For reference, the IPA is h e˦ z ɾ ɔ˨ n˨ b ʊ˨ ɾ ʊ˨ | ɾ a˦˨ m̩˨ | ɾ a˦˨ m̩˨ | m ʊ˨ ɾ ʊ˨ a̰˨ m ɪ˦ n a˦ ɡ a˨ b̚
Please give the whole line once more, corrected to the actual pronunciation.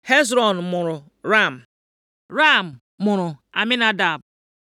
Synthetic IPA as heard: h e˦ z ɾ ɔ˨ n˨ m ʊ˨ ɾ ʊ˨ | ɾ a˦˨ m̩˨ | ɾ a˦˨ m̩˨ | m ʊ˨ ɾ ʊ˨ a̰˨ m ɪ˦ n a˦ d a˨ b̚